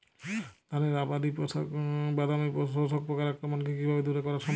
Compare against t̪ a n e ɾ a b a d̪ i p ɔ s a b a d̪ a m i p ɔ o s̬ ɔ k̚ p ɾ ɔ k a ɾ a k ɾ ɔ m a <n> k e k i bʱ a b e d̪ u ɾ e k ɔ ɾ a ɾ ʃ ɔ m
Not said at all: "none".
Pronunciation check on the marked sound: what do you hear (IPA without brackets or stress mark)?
n